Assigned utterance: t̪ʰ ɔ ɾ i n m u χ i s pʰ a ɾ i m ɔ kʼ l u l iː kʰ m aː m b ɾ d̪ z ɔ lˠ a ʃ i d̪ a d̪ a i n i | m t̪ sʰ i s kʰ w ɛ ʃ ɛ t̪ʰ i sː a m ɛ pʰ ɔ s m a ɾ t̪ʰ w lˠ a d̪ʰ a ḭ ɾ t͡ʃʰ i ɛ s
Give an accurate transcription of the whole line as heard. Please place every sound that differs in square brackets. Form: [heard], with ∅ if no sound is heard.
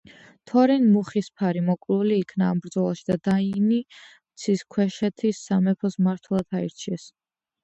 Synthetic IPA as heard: t̪ʰ ɔ ɾ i n m u χ i s pʰ a ɾ i m ɔ kʼ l u l iː kʰ [n] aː m b ɾ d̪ z ɔ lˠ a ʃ i d̪ a d̪ a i n i | m t̪ sʰ i s kʰ w ɛ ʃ ɛ t̪ʰ i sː a m ɛ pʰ ɔ s m a ɾ t̪ʰ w lˠ a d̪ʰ a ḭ ɾ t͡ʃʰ i ɛ s